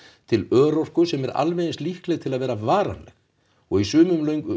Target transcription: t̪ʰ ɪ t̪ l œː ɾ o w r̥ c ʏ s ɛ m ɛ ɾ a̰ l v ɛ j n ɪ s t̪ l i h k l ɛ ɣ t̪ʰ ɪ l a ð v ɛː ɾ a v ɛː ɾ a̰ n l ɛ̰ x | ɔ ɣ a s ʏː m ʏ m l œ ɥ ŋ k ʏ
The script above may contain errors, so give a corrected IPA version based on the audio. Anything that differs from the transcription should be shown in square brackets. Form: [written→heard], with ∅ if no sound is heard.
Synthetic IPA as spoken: t̪ʰ ɪ [t̪→∅] l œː ɾ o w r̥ [c→k] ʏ s ɛ m ɛ ɾ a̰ l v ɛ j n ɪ s t̪ l i h k l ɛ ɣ t̪ʰ ɪ l a ð v ɛː ɾ a v [ɛː→aː] ɾ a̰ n l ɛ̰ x | ɔ ɣ [a→i] s ʏː m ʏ m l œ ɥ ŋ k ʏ

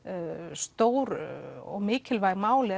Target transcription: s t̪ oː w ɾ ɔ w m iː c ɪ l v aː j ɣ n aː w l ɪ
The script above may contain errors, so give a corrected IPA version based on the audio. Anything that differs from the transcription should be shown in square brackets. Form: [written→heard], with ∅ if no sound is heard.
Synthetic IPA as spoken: s t̪ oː w ɾ ɔ [w→ɣ] m [iː→ɪː] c ɪ l v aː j ɣ [n→m] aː w l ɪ

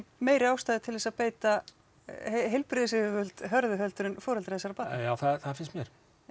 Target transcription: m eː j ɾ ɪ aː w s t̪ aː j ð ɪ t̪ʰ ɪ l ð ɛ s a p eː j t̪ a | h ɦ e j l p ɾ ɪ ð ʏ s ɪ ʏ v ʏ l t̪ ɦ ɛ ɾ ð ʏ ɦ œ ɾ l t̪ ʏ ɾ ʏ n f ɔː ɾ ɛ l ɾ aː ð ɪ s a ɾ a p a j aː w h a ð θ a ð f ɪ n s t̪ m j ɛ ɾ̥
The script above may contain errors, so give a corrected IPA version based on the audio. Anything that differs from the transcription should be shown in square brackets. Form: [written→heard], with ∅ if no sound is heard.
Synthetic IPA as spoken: m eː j ɾ ɪ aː w s t̪ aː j ð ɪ t̪ʰ ɪ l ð ɛ s a p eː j t̪ a | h ɦ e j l p ɾ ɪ ð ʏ s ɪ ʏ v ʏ l t̪ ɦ [ɛ→œ] ɾ ð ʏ ɦ œ [ɾ→∅] l t̪ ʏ ɾ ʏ n f ɔː ɾ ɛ l ɾ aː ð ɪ s a ɾ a p a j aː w [h→θ] a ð θ a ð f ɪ n s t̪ m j ɛ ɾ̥

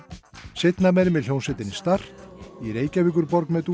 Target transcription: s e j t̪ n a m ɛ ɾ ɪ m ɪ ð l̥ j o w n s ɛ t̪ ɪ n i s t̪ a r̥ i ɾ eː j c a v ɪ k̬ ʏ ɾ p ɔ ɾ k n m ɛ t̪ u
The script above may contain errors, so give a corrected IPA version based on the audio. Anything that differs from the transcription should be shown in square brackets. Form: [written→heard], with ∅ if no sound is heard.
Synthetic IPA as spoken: s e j t̪ n a m ɛ ɾ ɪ m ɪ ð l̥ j o w n s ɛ t̪ ɪ n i s t̪ a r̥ i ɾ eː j c a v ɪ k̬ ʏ ɾ p ɔ ɾ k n m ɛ t̪ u

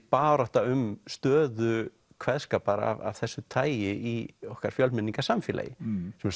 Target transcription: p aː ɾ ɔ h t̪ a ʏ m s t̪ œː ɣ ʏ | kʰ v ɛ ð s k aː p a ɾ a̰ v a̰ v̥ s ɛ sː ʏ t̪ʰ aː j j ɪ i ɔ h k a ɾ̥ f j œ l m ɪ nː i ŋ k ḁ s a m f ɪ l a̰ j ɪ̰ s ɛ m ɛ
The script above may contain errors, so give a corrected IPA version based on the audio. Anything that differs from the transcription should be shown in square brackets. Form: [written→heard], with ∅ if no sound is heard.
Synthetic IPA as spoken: p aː ɾ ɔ h t̪ a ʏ m s t̪ œː [ɣ→ð] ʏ | kʰ v ɛ ð s k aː p a ɾ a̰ v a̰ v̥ [s→θ] ɛ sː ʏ t̪ʰ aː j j ɪ i ɔ h k a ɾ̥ f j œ l m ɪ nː i ŋ k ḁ s a m f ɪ l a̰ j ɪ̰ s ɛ m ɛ

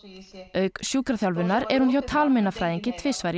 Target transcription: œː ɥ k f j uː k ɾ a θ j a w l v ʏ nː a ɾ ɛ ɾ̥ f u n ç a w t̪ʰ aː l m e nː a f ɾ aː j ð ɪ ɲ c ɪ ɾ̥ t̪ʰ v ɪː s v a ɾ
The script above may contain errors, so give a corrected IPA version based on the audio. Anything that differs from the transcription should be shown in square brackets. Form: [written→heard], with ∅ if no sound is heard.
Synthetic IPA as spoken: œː ɥ k [f→s] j uː k ɾ a θ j a w l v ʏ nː a ɾ ɛ ɾ̥ [f→h] u n ç a w t̪ʰ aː l m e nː a f ɾ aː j ð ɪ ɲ c ɪ [ɾ̥→∅] t̪ʰ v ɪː s v a ɾ

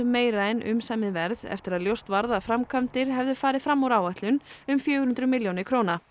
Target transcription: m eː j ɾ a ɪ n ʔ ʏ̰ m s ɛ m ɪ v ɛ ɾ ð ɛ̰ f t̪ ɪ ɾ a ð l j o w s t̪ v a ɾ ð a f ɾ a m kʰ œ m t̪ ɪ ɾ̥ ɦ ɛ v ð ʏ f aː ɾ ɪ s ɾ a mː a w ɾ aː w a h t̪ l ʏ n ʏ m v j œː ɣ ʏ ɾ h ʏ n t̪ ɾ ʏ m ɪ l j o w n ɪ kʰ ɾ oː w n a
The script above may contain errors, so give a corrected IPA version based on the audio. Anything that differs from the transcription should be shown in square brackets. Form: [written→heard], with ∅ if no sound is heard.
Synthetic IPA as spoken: m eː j ɾ a ɪ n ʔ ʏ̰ m s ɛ m ɪ v ɛ ɾ ð ɛ̰ f t̪ ɪ ɾ a ð l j o w s t̪ v a ɾ ð a f ɾ a m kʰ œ m t̪ ɪ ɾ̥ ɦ ɛ v ð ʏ f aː ɾ ɪ [s→f] ɾ a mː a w ɾ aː w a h t̪ l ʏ n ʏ m [v→f] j œː ɣ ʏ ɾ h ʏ n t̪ ɾ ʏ m ɪ l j o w n ɪ kʰ ɾ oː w n a

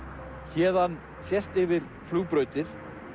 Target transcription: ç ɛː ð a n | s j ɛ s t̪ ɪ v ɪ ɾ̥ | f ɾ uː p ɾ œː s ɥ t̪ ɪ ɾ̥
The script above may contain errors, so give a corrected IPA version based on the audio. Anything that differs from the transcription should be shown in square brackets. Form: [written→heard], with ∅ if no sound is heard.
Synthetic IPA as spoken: ç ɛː ð a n | s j ɛ s t̪ ɪ v ɪ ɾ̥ | f [ɾ→l] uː p ɾ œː [s→∅] ɥ t̪ ɪ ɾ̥

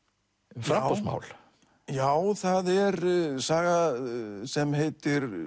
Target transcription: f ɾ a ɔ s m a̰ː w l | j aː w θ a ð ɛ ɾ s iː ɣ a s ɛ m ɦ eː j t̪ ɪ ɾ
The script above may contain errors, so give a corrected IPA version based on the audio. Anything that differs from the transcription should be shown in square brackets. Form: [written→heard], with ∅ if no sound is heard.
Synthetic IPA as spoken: f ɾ a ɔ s m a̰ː w l | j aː w θ a ð ɛ ɾ s [iː→aː] ɣ a s ɛ m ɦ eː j t̪ ɪ ɾ

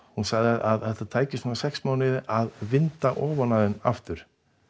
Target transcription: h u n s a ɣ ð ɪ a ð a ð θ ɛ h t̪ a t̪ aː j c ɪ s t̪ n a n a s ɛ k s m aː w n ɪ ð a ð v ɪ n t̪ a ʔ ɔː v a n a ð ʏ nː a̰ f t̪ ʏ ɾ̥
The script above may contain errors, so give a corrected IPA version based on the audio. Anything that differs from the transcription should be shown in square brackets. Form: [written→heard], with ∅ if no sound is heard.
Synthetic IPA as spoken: h u n s a ɣ ð ɪ a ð a ð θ ɛ h t̪ a [t̪→t̪ʰ] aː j c ɪ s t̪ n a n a s ɛ k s m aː w n ɪ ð a ð v ɪ n t̪ a ʔ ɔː v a n a ð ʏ [nː→n] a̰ f t̪ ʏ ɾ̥

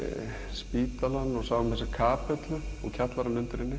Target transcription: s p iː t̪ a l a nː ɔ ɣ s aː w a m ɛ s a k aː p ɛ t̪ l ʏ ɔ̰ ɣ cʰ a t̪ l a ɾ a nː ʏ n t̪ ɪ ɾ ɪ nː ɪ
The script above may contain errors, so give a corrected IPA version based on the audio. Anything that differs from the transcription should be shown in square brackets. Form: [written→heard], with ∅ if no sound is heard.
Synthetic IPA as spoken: s p iː t̪ a l a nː ɔ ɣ s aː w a m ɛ s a [k→kʰ] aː p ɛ t̪ l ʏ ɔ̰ ɣ cʰ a t̪ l a ɾ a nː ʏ n t̪ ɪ ɾ ɪ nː ɪ

